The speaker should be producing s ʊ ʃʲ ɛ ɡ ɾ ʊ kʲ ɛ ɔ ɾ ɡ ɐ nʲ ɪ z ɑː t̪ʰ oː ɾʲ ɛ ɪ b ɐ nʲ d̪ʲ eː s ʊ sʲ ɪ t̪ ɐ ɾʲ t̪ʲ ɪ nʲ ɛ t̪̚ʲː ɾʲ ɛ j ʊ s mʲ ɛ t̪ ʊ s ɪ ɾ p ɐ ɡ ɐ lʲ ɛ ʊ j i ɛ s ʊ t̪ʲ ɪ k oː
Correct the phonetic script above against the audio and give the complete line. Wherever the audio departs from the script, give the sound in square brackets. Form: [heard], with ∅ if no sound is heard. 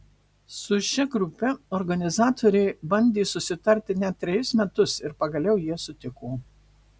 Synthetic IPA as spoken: s ʊ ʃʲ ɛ ɡ ɾ ʊ [pʲ] ɛ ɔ ɾ ɡ ɐ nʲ ɪ z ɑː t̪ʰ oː ɾʲ ɛ ɪ b ɐ nʲ d̪ʲ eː s ʊ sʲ ɪ t̪ ɐ ɾʲ t̪ʲ ɪ nʲ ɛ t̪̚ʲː ɾʲ ɛ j ʊ s mʲ ɛ t̪ ʊ s ɪ ɾ p ɐ ɡ ɐ lʲ ɛ ʊ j i ɛ s ʊ t̪ʲ ɪ k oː